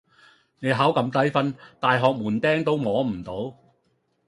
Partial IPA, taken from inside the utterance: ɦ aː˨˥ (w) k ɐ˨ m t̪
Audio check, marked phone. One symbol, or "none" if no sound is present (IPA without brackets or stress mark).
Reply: w